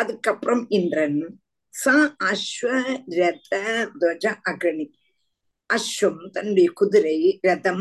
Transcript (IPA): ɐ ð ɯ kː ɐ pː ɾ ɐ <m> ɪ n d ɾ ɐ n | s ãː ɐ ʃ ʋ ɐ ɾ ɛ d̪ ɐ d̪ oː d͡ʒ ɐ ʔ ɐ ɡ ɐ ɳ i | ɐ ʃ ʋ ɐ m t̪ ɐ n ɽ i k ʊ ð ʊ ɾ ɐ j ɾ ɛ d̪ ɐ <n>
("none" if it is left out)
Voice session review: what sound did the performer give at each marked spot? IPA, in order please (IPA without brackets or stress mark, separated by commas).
m, m